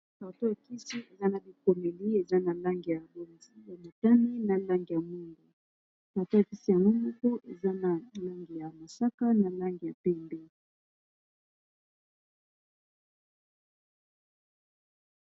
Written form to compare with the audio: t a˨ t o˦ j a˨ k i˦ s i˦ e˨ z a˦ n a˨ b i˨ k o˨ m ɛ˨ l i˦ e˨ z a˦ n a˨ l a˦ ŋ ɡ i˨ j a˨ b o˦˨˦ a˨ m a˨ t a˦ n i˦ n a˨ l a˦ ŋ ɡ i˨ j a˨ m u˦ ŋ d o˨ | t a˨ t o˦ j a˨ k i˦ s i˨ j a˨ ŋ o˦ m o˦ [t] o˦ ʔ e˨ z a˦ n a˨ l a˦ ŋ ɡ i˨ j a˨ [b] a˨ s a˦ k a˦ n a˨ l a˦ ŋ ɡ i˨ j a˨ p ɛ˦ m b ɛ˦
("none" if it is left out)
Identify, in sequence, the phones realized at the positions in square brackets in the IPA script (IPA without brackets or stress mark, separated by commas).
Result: k, m